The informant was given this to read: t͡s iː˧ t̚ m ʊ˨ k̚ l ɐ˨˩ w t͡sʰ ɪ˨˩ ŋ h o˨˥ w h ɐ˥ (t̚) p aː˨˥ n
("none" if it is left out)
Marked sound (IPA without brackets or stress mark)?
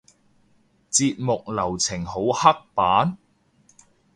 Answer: k̚